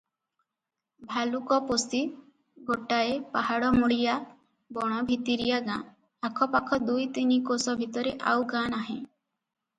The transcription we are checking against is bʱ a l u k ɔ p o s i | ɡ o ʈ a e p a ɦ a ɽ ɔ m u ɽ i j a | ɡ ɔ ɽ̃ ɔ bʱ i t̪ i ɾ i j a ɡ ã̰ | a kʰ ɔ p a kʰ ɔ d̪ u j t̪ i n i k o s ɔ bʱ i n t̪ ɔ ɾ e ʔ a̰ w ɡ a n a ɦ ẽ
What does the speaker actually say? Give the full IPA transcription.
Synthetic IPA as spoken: bʱ a l u k ɔ p o s i | ɡ o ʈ a e p a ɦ a ɽ ɔ m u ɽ i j a | b ɔ ɽ̃ ɔ bʱ i t̪ i ɾ i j a ɡ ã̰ | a kʰ ɔ p a kʰ ɔ d̪ u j t̪ i n i k o s ɔ bʱ i t̪ ɔ ɾ e ʔ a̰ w ɡ a n a ɦ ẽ